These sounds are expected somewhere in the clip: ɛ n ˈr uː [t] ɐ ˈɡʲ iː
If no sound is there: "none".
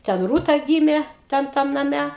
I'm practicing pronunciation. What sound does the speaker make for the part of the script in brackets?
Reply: t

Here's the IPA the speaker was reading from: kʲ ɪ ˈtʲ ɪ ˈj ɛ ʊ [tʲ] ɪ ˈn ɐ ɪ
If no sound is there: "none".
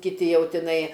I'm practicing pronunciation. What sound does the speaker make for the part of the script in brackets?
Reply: tʲ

